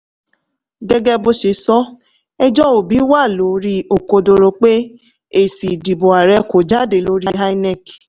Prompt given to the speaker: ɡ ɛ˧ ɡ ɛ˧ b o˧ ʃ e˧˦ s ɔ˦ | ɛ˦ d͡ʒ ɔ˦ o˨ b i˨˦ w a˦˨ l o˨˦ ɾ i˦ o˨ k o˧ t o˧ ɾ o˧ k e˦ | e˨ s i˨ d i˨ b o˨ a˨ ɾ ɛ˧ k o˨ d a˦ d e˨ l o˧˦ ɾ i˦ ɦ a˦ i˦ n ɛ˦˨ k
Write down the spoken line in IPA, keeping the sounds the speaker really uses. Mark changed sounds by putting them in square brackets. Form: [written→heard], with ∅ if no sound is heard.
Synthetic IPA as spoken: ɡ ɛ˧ ɡ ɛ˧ b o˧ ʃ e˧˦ s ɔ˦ | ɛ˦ d͡ʒ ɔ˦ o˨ b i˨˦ w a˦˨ l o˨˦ ɾ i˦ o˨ k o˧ [t→d] o˧ ɾ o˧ [k→k͡p] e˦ | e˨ s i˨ d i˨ b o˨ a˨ ɾ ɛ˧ k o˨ [d→d͡ʒ] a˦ d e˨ l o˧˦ ɾ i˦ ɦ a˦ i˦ n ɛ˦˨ k

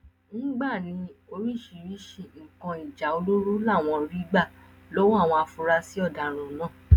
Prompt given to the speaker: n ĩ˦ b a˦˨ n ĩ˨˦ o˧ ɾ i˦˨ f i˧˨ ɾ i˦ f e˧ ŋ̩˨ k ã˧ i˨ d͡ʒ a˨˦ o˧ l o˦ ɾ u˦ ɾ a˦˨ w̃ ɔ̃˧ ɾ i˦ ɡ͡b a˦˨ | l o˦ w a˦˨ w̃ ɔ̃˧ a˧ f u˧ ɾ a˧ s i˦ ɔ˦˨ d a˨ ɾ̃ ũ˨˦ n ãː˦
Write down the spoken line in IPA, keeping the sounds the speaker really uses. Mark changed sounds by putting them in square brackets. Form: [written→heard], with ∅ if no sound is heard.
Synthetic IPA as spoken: n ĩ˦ [b→ɡ͡b] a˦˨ n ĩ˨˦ o˧ ɾ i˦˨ [f→ʃ] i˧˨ ɾ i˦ [f→ʃ] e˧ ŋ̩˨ k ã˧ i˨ d͡ʒ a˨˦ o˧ l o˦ ɾ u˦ [ɾ→l] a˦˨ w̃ ɔ̃˧ ɾ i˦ ɡ͡b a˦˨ | l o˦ w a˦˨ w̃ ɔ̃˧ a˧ f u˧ ɾ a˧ s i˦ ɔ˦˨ d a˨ ɾ̃ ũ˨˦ n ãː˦

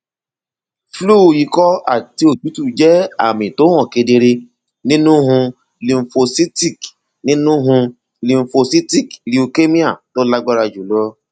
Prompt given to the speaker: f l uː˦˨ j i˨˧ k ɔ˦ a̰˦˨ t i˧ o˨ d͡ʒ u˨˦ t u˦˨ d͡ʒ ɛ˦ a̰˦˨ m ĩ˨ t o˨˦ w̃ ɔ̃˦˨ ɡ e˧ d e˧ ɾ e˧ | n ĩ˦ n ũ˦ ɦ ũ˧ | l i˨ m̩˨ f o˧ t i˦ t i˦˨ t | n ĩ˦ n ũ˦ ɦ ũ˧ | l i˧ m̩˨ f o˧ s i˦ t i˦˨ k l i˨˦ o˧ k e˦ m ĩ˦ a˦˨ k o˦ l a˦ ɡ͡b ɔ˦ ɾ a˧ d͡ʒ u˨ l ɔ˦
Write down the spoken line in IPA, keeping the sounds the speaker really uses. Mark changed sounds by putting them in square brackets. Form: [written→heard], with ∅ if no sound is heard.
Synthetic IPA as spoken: f l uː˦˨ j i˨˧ k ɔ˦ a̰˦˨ t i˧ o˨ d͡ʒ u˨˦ t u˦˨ d͡ʒ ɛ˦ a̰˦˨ m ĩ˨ t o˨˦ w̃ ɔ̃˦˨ [ɡ→k] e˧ d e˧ ɾ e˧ | n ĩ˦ n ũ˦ ɦ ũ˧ | l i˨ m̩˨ f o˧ [t→s] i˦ t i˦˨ [t→k] | n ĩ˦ n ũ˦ ɦ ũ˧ | l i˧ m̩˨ f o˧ s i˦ t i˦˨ k l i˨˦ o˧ k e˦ m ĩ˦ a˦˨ [k→t] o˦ l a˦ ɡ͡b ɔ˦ ɾ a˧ d͡ʒ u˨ l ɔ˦

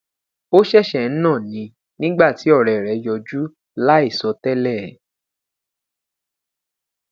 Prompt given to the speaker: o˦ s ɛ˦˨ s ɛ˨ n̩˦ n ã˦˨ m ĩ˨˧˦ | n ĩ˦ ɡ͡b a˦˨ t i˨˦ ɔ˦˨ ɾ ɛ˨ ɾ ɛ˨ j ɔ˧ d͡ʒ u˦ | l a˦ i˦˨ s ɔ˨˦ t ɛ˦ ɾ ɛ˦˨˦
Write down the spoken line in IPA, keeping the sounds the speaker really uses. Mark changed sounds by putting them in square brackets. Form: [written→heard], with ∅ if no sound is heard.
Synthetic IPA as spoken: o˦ [s→ʃ] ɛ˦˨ [s→ʃ] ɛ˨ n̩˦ n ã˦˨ [m→n] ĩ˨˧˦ | n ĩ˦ ɡ͡b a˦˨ t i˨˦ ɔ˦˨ ɾ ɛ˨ ɾ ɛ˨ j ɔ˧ d͡ʒ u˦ | l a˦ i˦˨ s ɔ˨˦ t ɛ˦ [ɾ→l] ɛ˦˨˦

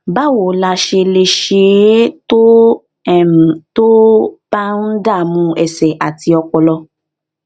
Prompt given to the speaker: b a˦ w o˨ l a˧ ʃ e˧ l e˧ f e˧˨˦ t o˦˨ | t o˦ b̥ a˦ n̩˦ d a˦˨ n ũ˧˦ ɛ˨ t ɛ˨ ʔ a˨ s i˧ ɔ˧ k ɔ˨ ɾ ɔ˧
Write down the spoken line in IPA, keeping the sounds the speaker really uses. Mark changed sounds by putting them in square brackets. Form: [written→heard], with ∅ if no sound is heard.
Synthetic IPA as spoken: b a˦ w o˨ l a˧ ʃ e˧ l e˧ [f→ʃ] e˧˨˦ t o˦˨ | t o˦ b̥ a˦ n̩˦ d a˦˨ [n→m] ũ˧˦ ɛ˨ [t→s] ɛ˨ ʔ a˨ [s→t] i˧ ɔ˧ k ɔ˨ [ɾ→l] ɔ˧

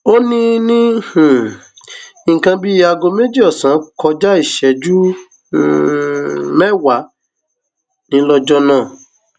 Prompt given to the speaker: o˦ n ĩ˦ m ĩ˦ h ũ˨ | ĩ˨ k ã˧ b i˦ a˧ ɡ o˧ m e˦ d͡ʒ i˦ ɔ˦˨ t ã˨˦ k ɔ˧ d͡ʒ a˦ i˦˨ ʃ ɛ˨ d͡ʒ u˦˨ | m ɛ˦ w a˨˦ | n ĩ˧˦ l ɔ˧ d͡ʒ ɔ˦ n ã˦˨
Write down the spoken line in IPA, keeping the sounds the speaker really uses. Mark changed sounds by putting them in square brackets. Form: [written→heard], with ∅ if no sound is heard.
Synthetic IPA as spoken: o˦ n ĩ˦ [m→n] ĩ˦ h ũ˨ | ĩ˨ k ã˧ b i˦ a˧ ɡ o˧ m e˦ d͡ʒ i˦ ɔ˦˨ [t→s] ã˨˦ k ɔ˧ d͡ʒ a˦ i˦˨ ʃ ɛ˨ d͡ʒ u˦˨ | m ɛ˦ w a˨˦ | n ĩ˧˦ l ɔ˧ d͡ʒ ɔ˦ n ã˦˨

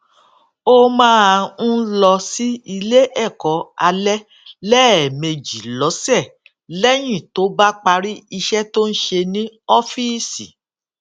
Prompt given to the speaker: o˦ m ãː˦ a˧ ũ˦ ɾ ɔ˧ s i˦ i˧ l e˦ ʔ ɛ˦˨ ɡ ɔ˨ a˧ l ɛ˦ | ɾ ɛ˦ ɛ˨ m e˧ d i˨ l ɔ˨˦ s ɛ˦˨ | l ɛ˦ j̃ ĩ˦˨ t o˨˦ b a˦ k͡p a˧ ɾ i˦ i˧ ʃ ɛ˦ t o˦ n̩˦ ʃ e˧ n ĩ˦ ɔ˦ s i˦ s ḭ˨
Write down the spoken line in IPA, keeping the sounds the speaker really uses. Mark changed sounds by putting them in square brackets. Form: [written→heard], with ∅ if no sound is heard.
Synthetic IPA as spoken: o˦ m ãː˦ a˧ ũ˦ [ɾ→l] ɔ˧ s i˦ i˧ l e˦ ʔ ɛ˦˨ [ɡ→k] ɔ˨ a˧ l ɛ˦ | [ɾ→l] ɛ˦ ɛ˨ m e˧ [d→d͡ʒ] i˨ l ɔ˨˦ s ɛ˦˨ | l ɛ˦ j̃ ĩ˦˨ t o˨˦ b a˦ k͡p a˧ ɾ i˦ i˧ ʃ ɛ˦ t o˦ n̩˦ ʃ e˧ n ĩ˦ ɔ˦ [s→f] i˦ s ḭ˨

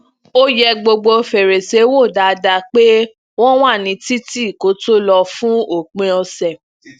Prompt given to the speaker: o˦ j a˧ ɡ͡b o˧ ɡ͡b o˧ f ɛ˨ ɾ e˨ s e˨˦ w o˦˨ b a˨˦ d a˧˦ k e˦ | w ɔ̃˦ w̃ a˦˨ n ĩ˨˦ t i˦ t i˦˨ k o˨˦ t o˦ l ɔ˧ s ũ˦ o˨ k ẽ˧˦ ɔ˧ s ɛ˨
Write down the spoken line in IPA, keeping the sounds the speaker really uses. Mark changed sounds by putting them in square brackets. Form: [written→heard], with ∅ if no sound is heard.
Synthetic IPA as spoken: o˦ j [a˧→ɛ˧] ɡ͡b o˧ ɡ͡b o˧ f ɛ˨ ɾ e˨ s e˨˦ w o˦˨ [b→d] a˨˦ d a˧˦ [k→k͡p] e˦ | w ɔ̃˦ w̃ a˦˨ n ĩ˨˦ t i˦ t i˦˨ k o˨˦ t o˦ l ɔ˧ [s→f] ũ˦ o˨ [k→k͡p] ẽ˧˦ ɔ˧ s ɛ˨

